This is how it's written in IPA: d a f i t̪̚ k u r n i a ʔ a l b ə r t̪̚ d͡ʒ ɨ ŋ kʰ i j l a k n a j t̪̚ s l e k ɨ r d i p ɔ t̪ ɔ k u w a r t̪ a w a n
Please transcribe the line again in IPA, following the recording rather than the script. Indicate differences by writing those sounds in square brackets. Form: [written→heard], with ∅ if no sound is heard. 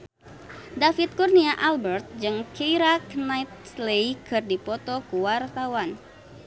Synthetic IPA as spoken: d a f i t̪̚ k u r n i a ʔ a l b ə r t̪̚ d͡ʒ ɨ ŋ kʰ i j [l→ɾ] a k n a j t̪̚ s l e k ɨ r d i p ɔ t̪ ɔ k u w a r t̪ a w a n